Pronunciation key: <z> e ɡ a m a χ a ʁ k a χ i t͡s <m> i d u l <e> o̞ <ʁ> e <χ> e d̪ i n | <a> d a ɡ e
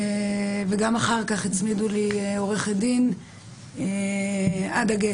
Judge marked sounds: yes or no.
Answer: no, yes, no, yes, yes, yes

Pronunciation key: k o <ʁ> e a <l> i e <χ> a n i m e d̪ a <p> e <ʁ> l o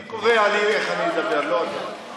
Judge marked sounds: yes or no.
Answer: no, yes, yes, no, yes

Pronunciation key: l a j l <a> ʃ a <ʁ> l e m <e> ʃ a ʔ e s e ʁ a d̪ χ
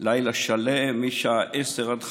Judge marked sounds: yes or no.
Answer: yes, no, no

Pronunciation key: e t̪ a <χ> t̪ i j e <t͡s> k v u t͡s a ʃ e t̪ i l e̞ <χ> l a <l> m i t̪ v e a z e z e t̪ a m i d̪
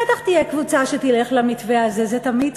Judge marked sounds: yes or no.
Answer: yes, no, yes, no

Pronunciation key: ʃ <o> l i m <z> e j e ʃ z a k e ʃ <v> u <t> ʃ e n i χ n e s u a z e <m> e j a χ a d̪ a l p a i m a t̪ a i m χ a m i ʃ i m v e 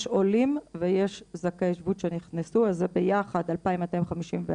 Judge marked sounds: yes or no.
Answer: yes, no, yes, yes, no

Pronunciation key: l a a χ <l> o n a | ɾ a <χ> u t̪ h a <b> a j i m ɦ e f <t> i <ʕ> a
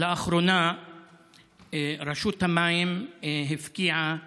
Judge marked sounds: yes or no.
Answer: no, no, no, no, yes

